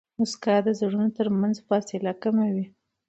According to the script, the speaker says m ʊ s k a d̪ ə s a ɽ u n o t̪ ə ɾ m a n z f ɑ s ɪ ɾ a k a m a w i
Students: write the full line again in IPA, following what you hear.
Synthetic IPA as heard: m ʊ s k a d̪ ə z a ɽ u n o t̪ ə ɾ m a n z f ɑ s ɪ l a k a m a w i